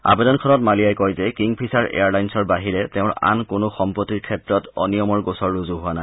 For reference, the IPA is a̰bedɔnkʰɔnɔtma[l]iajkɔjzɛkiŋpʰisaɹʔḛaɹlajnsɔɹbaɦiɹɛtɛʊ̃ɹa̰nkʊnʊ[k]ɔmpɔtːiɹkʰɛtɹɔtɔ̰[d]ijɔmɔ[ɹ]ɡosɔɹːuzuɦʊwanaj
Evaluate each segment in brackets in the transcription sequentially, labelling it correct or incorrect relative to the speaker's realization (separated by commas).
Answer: correct, incorrect, incorrect, correct